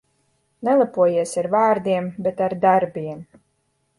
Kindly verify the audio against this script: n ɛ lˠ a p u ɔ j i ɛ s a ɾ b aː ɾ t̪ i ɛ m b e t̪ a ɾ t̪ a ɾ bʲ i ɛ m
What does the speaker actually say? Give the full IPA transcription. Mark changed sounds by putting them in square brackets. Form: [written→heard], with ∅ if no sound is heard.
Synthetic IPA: n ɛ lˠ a p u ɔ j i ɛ s a ɾ [b→v] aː ɾ [t̪→d̪] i ɛ m b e t̪ a ɾ [t̪→d̪] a ɾ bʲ i ɛ m